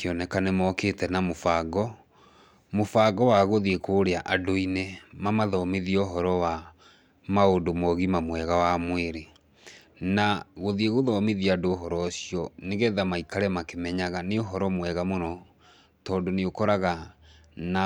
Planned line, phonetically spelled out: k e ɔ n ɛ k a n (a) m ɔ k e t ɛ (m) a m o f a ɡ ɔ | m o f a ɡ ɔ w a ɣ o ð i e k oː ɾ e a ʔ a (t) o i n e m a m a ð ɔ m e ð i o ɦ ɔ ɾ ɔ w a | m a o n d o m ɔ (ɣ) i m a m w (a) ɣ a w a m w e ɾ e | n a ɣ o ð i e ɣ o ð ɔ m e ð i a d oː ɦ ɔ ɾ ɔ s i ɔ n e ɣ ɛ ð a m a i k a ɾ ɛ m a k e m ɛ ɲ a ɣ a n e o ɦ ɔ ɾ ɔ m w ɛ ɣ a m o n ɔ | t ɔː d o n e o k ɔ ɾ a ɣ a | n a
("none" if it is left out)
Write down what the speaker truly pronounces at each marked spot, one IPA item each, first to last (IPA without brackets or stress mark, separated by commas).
e, n, d, ɣ, ɛ